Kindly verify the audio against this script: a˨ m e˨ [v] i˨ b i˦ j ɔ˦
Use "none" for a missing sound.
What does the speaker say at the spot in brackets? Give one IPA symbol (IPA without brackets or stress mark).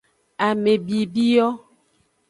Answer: b